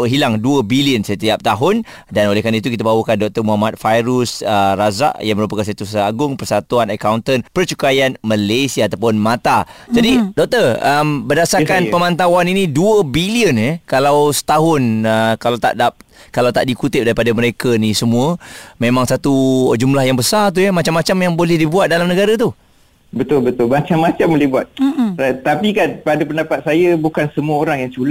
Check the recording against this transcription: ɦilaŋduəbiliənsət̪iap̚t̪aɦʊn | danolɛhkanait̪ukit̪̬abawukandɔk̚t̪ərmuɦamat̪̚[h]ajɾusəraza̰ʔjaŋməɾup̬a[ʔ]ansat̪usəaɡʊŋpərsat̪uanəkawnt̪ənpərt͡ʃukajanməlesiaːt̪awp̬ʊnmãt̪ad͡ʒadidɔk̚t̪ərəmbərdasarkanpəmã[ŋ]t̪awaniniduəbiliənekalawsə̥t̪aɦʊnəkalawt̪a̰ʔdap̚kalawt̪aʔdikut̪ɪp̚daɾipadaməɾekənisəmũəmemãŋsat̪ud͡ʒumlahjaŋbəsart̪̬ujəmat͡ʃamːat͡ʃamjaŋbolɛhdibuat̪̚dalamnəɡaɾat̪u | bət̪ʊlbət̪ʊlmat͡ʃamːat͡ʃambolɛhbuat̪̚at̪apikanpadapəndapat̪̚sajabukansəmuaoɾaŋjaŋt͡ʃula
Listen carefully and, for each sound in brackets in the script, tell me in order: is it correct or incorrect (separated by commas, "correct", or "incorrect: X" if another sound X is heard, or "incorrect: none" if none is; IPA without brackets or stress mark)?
incorrect: f, incorrect: k, incorrect: n